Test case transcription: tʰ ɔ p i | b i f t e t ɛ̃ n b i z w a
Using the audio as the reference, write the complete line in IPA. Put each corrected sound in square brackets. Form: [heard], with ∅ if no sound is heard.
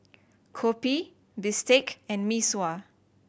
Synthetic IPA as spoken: [kʰ] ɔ p i | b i [s] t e [k] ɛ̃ n [m] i [s] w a